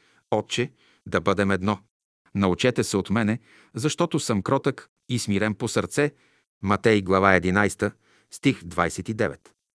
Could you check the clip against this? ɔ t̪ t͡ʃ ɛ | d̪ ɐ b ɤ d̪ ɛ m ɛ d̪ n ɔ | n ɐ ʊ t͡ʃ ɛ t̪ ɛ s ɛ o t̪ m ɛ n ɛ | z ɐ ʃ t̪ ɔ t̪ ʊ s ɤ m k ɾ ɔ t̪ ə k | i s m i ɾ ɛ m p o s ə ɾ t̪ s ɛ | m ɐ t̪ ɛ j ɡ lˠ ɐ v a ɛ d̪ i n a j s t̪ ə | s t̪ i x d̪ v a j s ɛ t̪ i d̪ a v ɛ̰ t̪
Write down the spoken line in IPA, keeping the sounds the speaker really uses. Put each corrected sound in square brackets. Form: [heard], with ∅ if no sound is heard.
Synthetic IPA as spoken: ɔ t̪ t͡ʃ ɛ | d̪ ɐ b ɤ d̪ ɛ m ɛ d̪ n ɔ | n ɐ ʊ t͡ʃ ɛ t̪ ɛ s ɛ o t̪ m ɛ n ɛ | z ɐ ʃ t̪ ɔ t̪ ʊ s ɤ m k ɾ ɔ t̪ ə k | i s m i ɾ ɛ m p o s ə ɾ t̪ s ɛ | m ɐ t̪ ɛ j ɡ lˠ ɐ v a ɛ d̪ i n a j s t̪ ə | s t̪ i x d̪ v a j s ɛ t̪ i d̪ [ɛ] v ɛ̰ t̪